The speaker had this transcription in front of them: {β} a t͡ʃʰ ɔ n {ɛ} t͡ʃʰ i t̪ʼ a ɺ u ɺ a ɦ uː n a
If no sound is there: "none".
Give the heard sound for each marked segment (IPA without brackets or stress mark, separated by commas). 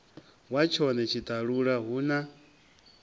w, ɛ